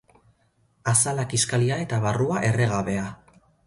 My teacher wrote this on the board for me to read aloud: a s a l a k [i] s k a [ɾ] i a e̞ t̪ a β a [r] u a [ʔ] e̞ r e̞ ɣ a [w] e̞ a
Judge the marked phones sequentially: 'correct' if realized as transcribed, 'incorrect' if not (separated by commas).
correct, incorrect, correct, correct, incorrect